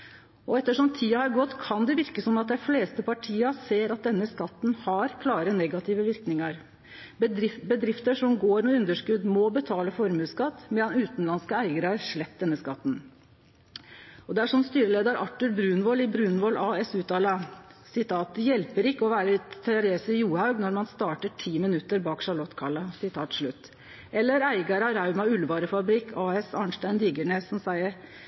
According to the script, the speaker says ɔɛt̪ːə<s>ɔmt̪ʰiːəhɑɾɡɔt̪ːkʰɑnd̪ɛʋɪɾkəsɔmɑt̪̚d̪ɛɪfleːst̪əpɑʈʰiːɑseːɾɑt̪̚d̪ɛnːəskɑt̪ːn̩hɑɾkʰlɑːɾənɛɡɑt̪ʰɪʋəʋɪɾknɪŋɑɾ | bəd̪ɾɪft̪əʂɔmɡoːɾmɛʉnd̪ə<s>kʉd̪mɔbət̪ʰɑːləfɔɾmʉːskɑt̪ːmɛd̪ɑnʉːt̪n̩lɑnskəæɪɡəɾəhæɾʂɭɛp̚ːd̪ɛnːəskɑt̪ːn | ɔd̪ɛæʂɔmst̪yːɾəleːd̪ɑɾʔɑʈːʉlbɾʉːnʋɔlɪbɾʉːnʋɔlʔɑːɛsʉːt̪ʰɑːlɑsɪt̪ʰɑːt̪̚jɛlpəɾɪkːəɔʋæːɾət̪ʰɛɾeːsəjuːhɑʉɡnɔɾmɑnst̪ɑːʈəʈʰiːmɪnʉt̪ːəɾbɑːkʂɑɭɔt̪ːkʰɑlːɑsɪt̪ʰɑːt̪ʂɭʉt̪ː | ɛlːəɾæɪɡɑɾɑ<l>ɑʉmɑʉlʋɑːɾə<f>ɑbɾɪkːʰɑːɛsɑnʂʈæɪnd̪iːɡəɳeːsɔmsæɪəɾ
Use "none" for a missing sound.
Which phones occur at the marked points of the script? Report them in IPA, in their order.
ʂ, ʂ, ɾ, f

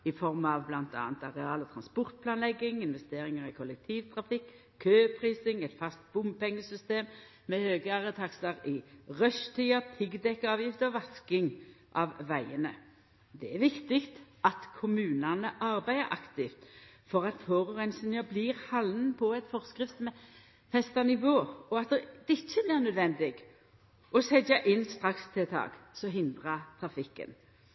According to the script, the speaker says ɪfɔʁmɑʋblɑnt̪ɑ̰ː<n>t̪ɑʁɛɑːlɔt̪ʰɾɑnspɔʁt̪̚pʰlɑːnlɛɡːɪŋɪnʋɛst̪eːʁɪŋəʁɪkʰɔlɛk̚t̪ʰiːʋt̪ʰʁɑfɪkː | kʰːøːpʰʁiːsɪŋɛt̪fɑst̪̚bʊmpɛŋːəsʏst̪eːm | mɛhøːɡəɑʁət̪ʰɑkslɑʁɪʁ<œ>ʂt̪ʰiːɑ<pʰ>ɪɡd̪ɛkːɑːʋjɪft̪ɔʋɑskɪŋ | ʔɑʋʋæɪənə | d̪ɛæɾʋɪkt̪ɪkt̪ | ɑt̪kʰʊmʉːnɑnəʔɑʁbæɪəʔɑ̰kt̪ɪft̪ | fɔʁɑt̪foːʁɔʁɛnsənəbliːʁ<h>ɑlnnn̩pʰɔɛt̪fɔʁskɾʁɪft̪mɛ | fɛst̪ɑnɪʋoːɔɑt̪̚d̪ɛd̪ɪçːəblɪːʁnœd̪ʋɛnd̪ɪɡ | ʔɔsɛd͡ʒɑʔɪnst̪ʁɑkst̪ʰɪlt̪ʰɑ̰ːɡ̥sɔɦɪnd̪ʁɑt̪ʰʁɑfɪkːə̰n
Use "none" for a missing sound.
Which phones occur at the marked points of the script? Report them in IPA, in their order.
n, œ, pʰ, h

